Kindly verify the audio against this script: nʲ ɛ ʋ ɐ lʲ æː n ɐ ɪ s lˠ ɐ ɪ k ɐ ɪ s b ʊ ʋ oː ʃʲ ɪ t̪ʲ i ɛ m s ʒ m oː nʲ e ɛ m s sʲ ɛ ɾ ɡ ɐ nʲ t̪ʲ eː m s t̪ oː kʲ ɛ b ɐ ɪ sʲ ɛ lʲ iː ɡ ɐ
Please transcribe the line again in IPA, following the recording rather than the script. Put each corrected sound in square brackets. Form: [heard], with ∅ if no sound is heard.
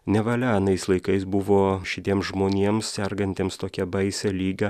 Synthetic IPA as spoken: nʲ ɛ ʋ ɐ lʲ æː n ɐ ɪ s lˠ ɐ ɪ k ɐ ɪ s b ʊ ʋ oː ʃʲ ɪ t̪ʲ i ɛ m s ʒ m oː nʲ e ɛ m s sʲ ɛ ɾ ɡ ɐ nʲ t̪ʲ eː m s t̪ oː kʲ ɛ b ɐ ɪ sʲ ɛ lʲ iː ɡ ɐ